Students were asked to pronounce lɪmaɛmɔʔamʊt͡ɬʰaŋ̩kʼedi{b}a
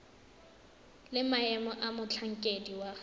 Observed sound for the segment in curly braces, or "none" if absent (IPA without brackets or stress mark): w